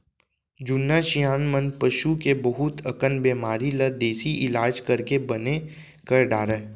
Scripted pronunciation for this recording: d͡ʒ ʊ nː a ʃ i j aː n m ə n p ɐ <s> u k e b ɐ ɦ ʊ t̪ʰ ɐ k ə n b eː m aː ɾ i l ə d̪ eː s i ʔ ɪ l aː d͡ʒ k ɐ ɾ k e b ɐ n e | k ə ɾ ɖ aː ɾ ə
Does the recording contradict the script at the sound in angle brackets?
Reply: yes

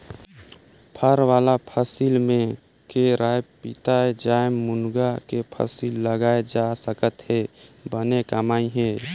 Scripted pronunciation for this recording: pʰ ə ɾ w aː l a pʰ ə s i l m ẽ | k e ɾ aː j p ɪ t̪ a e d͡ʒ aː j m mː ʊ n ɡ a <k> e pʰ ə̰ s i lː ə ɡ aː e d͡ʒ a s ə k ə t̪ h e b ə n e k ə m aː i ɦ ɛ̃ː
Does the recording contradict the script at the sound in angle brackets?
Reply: no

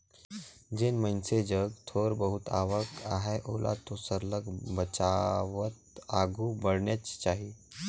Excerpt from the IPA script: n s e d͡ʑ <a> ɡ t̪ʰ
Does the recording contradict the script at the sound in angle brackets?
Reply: yes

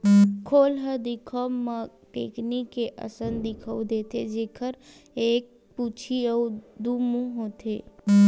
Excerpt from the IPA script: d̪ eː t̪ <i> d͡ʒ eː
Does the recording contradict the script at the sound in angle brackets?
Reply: yes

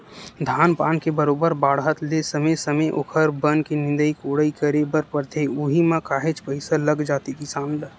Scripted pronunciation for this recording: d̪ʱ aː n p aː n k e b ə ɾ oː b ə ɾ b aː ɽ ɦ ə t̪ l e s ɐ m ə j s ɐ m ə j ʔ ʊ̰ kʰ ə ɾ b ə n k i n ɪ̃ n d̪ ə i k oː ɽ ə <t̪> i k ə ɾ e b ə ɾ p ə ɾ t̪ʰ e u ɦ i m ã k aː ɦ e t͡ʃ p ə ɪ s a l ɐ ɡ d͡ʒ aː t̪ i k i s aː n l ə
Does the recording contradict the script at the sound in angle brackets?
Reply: yes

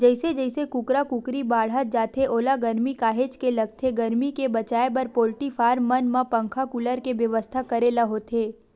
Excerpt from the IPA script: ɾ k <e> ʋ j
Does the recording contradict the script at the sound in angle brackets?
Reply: no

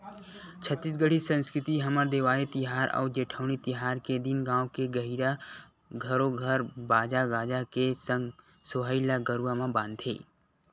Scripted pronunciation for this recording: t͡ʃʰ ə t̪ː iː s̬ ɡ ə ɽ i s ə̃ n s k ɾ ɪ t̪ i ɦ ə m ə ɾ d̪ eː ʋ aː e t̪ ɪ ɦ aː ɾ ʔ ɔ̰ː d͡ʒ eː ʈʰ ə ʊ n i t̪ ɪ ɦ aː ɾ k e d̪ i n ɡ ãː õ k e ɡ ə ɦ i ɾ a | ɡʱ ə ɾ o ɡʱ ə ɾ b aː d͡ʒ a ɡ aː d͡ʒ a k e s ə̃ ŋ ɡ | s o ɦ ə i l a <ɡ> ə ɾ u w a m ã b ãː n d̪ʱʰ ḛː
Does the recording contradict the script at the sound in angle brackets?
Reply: no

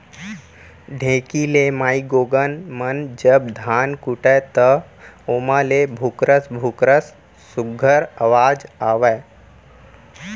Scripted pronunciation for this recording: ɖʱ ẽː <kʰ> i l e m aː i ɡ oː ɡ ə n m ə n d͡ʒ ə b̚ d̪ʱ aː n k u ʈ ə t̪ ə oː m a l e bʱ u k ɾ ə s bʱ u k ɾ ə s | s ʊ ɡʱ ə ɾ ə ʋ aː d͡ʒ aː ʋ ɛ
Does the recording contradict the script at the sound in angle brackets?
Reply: yes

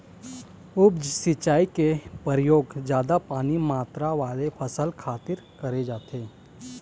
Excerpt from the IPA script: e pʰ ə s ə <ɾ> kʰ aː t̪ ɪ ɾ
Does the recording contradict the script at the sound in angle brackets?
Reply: yes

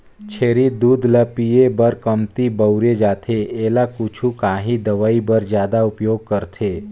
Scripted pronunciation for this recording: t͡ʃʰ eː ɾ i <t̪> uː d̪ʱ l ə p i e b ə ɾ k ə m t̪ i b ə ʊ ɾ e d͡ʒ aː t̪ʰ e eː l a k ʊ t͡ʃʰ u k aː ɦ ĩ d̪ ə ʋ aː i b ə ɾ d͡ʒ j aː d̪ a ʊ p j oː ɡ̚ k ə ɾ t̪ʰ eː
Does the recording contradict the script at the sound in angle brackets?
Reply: yes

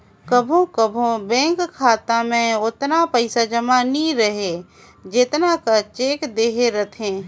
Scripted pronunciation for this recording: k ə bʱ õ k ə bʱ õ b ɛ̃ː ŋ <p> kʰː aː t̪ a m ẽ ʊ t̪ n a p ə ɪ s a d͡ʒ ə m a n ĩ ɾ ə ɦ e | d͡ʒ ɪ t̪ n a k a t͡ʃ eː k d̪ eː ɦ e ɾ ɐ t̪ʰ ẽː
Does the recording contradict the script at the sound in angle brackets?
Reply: yes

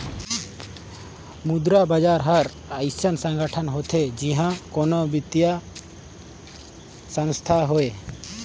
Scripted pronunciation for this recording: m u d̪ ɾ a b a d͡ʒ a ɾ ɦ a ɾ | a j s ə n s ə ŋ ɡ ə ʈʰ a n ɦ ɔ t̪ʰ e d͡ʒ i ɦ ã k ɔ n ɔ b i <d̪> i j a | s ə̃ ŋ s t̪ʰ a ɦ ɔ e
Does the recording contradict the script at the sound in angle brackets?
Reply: yes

